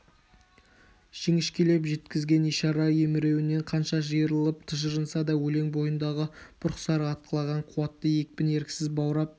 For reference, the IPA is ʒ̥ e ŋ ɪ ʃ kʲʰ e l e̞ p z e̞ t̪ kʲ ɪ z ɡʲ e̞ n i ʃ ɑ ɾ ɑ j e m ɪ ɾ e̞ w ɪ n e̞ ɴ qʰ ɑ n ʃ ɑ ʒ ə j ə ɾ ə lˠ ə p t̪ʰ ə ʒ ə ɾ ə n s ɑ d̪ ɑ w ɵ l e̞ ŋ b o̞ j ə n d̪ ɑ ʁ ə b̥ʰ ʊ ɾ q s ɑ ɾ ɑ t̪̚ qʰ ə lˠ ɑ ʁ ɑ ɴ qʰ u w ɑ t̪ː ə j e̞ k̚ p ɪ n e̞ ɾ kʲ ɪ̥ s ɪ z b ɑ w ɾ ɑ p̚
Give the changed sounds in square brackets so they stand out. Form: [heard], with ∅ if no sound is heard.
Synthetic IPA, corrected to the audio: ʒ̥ e ŋ ɪ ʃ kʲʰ e l e̞ p [ʒ] e̞ t̪ kʲ ɪ z ɡʲ e̞ n i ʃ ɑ ɾ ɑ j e m ɪ ɾ e̞ w ɪ n e̞ ɴ qʰ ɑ n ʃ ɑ ʒ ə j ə ɾ ə lˠ ə p t̪ʰ ə ʒ ə ɾ ə n s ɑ d̪ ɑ w ɵ l e̞ ŋ b o̞ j ə n d̪ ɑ ʁ ə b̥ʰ ʊ ɾ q s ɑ ɾ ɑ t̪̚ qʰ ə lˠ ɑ ʁ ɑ ɴ qʰ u w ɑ t̪ː ə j e̞ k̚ p ɪ n e̞ ɾ kʲ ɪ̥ s ɪ z b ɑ w ɾ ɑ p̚

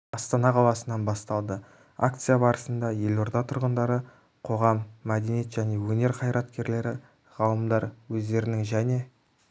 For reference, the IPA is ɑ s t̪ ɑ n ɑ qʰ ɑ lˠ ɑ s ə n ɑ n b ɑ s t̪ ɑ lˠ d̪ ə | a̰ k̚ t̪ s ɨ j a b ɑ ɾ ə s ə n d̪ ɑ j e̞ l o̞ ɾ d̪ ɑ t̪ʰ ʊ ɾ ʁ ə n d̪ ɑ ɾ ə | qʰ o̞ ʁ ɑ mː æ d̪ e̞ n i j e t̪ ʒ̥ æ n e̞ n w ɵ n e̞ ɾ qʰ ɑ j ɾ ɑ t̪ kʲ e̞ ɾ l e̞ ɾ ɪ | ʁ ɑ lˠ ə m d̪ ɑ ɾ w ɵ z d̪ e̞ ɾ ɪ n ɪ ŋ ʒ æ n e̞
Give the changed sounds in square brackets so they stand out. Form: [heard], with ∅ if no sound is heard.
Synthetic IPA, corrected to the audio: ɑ s t̪ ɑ n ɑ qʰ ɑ lˠ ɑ s ə n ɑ n b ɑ s t̪ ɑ lˠ d̪ ə | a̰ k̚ t̪ s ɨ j a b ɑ ɾ ə s ə n d̪ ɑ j e̞ l o̞ ɾ d̪ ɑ t̪ʰ ʊ ɾ ʁ ə n d̪ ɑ ɾ ə | qʰ o̞ ʁ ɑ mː æ d̪ e̞ n i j e t̪ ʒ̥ æ n e̞ [∅] w ɵ n e̞ ɾ qʰ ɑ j ɾ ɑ t̪ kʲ e̞ ɾ l e̞ ɾ ɪ | ʁ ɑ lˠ ə m d̪ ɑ ɾ w ɵ z d̪ e̞ ɾ ɪ n ɪ ŋ ʒ æ n e̞

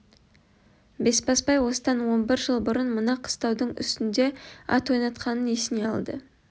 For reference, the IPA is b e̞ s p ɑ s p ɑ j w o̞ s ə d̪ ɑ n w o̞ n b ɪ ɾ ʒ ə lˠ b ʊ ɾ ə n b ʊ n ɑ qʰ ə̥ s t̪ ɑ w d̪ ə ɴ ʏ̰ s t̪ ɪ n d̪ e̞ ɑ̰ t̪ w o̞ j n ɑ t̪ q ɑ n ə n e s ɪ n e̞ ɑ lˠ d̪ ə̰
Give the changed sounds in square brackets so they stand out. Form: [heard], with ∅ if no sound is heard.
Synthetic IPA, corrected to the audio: b e̞ s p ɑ s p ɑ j w o̞ s ə d̪ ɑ n w o̞ n b ɪ ɾ ʒ ə lˠ b ʊ ɾ ə n [m] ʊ n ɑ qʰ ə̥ s t̪ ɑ w d̪ ə ɴ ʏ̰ s t̪ ɪ n d̪ e̞ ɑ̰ t̪ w o̞ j n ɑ t̪ q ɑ n ə n e s ɪ n e̞ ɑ lˠ d̪ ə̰

